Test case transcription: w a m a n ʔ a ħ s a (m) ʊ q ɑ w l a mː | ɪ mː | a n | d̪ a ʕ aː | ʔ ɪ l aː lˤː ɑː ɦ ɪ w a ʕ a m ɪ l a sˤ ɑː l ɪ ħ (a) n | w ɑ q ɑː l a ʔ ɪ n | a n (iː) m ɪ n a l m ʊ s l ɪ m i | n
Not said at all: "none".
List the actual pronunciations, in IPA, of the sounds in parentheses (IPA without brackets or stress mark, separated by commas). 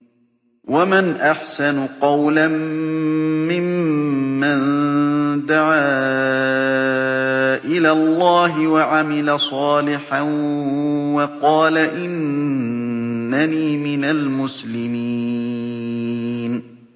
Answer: n, a, iː